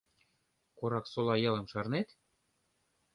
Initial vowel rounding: rounded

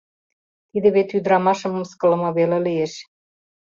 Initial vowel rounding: unrounded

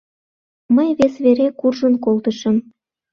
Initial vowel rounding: unrounded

